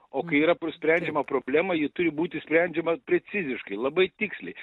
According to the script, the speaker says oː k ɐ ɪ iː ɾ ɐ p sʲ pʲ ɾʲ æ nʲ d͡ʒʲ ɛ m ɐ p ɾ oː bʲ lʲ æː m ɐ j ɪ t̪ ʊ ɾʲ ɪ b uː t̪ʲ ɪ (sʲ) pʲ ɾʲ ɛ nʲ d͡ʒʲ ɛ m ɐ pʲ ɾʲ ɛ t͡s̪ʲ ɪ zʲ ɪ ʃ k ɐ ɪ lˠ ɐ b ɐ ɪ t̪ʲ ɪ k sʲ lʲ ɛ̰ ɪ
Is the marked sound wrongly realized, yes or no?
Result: no